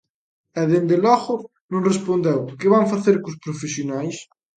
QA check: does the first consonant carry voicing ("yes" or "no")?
yes